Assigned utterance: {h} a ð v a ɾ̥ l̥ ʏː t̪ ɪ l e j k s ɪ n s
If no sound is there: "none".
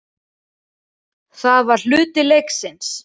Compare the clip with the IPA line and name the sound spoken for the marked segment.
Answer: θ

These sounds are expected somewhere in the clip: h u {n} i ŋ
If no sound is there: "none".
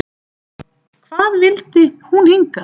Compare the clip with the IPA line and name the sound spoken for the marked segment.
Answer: n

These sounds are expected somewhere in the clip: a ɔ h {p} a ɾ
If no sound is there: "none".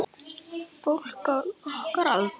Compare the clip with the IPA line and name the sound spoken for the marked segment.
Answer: k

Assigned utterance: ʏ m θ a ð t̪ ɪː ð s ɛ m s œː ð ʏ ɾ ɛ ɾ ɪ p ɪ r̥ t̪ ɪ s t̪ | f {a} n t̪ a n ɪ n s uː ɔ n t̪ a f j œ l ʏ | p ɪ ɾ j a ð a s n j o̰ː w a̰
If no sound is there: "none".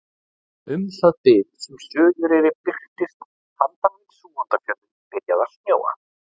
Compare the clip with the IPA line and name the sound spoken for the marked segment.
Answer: a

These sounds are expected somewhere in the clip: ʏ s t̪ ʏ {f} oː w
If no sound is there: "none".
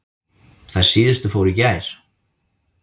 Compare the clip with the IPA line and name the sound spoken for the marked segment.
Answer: f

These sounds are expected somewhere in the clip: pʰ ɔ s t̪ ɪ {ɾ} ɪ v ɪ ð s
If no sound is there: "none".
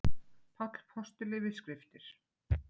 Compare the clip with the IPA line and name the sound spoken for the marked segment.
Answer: l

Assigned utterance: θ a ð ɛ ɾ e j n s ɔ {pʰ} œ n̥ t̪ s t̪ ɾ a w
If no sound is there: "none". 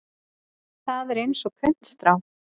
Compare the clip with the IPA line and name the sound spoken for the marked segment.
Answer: kʰ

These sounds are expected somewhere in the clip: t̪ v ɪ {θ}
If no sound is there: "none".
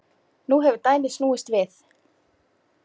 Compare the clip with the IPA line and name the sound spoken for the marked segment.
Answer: θ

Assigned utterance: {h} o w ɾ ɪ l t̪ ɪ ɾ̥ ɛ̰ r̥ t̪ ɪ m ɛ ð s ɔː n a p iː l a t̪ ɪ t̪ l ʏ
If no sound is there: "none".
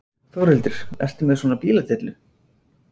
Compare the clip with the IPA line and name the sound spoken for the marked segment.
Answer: θ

